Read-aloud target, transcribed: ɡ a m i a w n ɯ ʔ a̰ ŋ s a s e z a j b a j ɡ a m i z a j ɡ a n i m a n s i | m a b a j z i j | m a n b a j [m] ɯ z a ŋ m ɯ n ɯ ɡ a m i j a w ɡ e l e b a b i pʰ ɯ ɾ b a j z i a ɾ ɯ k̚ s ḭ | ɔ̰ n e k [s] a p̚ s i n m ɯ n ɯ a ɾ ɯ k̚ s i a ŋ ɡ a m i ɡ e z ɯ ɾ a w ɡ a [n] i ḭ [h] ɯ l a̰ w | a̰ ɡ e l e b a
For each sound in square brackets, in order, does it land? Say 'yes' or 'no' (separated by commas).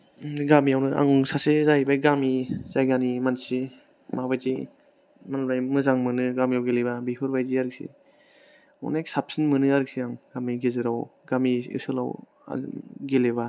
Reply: yes, yes, no, no